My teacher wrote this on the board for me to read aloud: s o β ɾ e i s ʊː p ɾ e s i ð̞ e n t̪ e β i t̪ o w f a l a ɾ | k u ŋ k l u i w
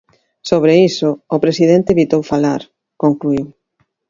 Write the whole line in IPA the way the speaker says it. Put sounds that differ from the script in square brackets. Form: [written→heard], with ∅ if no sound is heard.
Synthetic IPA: s o β ɾ e i s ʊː p ɾ e s i ð̞ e n t̪ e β i t̪ o w f a l a ɾ | k [u→o] ŋ k l u i w